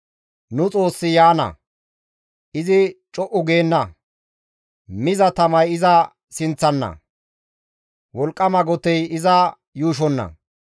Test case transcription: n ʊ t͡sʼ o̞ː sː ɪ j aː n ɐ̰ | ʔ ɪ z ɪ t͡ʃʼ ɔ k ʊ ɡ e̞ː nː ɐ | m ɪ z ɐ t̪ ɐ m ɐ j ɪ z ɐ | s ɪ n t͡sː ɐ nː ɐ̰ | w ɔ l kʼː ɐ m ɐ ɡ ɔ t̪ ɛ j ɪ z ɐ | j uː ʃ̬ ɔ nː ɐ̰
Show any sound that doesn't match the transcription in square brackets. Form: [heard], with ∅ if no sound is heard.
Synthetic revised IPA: n ʊ t͡sʼ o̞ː sː ɪ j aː n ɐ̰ | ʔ ɪ z ɪ t͡ʃʼ ɔ [ʔ] ʊ ɡ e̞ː nː ɐ | m ɪ z ɐ t̪ ɐ m ɐ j ɪ z ɐ | s ɪ n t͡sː ɐ nː ɐ̰ | w ɔ l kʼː ɐ m ɐ ɡ ɔ t̪ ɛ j ɪ z ɐ | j uː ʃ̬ ɔ nː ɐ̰